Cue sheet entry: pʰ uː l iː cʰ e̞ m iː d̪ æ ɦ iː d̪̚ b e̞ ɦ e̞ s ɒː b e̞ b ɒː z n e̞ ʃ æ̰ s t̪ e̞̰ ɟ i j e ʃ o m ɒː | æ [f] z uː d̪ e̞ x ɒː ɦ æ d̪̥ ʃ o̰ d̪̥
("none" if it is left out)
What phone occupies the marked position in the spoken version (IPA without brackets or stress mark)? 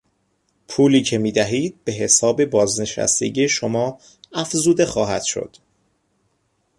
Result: f